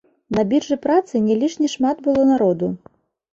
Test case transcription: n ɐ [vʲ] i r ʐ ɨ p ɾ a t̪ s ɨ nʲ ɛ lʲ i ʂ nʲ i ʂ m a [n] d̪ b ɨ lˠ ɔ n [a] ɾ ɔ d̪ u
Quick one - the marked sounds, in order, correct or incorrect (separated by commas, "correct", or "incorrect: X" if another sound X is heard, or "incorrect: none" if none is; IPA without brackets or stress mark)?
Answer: incorrect: bʲ, incorrect: none, correct